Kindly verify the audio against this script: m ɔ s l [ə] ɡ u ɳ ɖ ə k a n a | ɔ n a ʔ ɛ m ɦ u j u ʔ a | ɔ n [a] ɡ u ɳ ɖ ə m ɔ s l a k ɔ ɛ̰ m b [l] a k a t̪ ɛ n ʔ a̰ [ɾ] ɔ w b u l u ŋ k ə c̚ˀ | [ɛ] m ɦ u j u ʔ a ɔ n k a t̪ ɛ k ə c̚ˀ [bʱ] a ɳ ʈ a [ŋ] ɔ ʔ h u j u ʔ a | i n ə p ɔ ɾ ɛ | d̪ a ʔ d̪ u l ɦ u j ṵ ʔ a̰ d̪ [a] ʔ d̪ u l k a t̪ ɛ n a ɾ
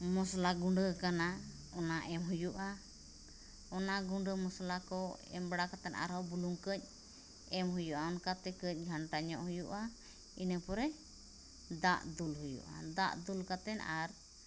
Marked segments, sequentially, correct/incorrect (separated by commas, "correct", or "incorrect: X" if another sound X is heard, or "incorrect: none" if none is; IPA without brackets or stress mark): incorrect: a, correct, incorrect: ɽ, correct, correct, incorrect: ɡʱ, incorrect: ɲ, correct